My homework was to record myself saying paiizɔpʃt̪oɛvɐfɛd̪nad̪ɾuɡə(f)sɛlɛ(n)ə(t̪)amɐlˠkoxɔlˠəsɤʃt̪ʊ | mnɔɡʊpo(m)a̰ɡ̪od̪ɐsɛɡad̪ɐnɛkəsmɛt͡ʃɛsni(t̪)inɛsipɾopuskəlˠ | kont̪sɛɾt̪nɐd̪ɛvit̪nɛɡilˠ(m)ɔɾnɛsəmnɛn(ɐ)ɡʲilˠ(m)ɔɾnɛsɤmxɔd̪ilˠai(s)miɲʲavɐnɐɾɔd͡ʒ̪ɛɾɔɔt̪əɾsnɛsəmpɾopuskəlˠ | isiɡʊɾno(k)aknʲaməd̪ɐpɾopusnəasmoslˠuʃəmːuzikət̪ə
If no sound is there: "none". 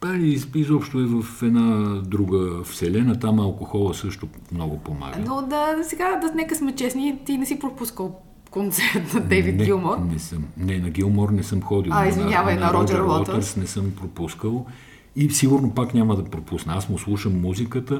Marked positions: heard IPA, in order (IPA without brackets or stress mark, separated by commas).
f, n, t̪, m, t̪, m, ɐ, m, z, p